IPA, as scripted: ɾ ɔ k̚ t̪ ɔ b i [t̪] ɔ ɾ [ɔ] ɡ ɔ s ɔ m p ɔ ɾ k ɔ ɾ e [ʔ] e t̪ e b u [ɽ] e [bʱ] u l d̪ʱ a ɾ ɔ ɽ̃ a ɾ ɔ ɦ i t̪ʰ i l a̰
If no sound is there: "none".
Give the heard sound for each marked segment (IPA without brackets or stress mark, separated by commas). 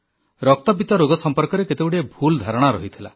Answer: t̪, o, k, ɽ, bʱ